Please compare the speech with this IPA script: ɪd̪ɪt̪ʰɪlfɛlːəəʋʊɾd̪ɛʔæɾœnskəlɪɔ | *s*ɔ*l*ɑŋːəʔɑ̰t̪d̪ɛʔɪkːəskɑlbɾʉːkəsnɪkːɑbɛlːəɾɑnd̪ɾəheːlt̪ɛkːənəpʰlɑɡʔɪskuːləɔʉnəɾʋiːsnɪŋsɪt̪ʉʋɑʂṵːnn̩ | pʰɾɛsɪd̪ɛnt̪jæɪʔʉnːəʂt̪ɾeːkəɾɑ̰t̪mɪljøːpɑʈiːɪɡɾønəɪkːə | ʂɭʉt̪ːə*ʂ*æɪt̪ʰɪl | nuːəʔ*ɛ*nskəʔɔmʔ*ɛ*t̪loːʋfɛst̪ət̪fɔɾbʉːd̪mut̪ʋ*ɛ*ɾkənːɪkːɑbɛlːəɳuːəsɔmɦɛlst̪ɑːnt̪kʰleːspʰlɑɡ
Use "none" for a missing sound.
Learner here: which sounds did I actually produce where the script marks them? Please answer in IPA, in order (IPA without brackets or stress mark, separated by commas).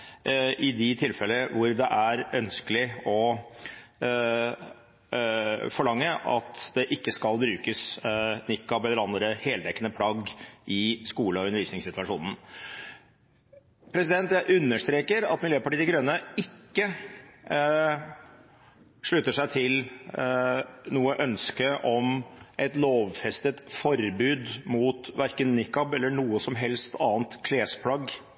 f, ɭ, ʂ, œ, ɛ, æ